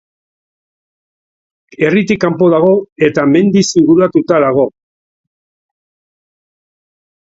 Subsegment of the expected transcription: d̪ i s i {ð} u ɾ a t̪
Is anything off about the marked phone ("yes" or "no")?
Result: yes